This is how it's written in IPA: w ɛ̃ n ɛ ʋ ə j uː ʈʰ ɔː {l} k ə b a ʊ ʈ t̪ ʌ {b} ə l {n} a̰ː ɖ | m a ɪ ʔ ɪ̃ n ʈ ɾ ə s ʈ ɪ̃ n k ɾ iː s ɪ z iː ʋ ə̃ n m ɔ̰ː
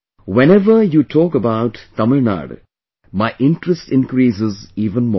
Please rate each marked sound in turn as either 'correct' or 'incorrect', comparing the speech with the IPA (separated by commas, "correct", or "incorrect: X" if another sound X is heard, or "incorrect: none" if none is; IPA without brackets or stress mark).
incorrect: none, incorrect: m, correct